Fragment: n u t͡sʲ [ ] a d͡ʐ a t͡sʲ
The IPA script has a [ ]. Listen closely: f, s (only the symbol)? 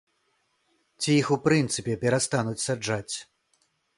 s